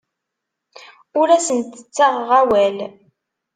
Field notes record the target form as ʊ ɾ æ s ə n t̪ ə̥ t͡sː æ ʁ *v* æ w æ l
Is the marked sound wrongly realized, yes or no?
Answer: yes